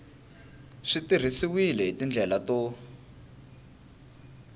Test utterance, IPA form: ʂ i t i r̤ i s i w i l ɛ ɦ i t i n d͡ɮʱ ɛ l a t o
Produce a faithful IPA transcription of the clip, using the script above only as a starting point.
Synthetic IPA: ʂ i t i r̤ i s i w i l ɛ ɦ i t i n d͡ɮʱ ɛ l a t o